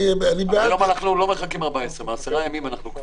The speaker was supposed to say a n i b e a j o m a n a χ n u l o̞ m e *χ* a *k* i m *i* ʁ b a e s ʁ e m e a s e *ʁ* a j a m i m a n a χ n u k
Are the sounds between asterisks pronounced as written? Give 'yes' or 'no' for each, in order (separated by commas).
yes, yes, no, yes